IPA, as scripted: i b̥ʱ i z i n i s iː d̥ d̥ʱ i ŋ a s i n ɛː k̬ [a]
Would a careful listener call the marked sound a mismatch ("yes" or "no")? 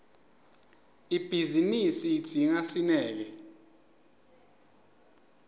yes